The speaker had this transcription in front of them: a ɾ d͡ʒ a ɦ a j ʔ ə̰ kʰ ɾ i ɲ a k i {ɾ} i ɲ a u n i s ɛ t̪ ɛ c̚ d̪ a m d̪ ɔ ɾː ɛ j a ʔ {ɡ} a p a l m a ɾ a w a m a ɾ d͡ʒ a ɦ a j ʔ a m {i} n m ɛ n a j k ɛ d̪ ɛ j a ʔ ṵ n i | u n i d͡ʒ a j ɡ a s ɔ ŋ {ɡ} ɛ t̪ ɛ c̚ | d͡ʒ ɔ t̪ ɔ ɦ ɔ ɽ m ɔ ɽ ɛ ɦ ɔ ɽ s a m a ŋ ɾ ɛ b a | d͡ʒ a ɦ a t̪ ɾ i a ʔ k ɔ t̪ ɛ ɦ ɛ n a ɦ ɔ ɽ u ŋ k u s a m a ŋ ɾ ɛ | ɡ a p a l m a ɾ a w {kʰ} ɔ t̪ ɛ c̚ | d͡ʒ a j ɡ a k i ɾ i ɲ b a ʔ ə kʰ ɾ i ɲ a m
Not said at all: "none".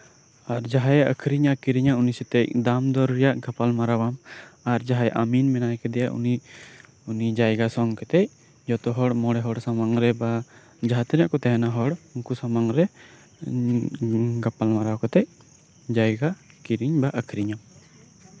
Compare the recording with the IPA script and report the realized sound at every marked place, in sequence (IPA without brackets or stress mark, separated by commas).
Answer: ɾ, ɡ, i, k, k